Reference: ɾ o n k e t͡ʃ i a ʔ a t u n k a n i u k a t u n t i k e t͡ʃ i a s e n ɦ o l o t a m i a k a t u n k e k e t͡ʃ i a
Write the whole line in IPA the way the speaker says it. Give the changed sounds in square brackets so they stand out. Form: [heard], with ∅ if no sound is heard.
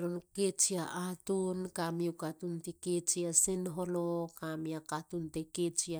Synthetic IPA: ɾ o n k e t͡ʃ i a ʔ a t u n k a [m] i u k a t u n t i k e t͡ʃ i a s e n ɦ o l o [k] a m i a k a t u n [t] e k e t͡ʃ i a